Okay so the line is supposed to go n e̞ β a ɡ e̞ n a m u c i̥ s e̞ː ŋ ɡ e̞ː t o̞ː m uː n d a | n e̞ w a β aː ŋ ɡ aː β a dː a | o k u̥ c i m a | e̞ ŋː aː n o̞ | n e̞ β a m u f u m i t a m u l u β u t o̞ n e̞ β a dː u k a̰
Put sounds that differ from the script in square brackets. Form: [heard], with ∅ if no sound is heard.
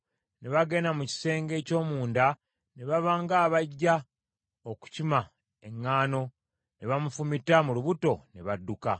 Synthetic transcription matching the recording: n e̞ β a ɡ e̞ n a m u c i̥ s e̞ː ŋ ɡ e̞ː [c] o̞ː m uː n d a | n e̞ [β] a β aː ŋ ɡ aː β a [ɟː] a | o k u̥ c i m a | e̞ ŋː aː n o̞ | n e̞ β a m u f u m i t a m u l u β u t o̞ n e̞ β a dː u k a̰

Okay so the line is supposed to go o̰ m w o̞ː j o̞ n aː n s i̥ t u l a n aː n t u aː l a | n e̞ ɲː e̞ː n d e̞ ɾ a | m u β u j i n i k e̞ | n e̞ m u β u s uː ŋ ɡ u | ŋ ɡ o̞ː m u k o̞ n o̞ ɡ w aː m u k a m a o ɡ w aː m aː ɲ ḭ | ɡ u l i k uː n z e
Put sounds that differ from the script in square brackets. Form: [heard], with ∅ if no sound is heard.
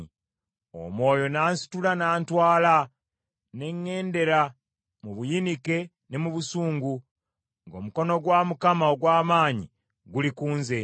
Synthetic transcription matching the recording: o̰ m w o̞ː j o̞ n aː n s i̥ t u l a n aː n t [w] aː l a | n e̞ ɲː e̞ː n d e̞ ɾ a | m u β u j i n i k e̞ | n e̞ m u β u s uː ŋ ɡ u | ŋ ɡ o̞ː m u k o̞ n o̞ ɡ w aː m u k a m a o ɡ w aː m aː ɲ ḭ | ɡ u l i k uː n z e

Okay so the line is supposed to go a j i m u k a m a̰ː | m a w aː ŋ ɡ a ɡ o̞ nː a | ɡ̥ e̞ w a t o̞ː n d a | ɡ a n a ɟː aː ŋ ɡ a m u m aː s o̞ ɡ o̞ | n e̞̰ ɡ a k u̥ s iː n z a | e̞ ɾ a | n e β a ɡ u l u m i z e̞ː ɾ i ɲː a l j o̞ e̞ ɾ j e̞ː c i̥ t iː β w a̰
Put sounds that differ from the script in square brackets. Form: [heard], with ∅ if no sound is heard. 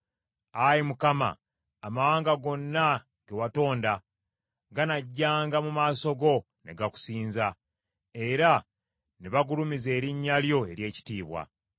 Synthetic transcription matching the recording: a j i m u k a m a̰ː | m a w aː ŋ ɡ a ɡ o̞ nː a | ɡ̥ e̞ w a t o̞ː n d a | ɡ a n a ɟː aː ŋ ɡ a m u m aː s o̞ ɡ o̞ | n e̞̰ ɡ a k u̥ s iː n z a | e̞ ɾ a | n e β a ɡ u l u m i z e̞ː ɾ i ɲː a l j o̞ e̞ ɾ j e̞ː c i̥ t iː β w a̰

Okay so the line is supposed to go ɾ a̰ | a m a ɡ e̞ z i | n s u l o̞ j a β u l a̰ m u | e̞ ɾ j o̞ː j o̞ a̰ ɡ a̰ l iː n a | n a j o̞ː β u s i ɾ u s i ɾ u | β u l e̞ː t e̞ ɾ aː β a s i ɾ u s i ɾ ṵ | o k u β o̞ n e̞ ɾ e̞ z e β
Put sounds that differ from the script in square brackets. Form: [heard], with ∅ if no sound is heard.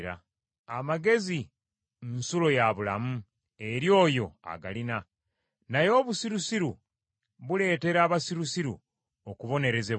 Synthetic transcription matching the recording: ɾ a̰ | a m a ɡ e̞ z i | n s u l o̞ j a β u l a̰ m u | e̞ ɾ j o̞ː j o̞ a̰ ɡ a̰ l [i] n a | n a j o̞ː β u s i ɾ u s i ɾ u | β u l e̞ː t e̞ ɾ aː β a s i ɾ u s i ɾ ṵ | o k u β o̞ n e̞ ɾ e̞ z e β

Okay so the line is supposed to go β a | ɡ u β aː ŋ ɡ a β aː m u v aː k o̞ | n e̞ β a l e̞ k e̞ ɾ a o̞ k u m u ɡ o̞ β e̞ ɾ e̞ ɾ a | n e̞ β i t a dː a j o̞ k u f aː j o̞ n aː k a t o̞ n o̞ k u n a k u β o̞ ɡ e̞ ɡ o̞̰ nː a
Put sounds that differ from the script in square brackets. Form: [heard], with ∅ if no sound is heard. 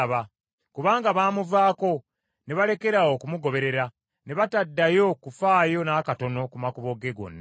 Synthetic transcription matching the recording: β a | [k] u β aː ŋ ɡ a β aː m u v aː k o̞ | n e̞ β a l e̞ k e̞ ɾ a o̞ k u m u ɡ o̞ β e̞ ɾ e̞ ɾ a | n e̞ β [a] t a dː a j o̞ k u f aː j o̞ n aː k a t o̞ n o̞ k u [m] a k u β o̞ ɡ e̞ ɡ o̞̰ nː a

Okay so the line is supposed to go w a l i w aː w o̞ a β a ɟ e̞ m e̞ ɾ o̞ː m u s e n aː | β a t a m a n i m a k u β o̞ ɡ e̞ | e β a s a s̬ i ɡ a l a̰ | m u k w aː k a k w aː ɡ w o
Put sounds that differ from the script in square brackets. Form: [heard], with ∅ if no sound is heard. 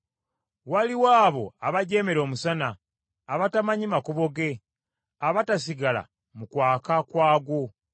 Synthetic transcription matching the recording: w a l i w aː [β] o̞ a β a ɟ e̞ m e̞ ɾ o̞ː m u s [a] n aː | β a t a m a [ɲ] i m a k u β o̞ ɡ e̞ | [a] β a [t] a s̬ i ɡ a l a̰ | m u k w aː k a k w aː ɡ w o

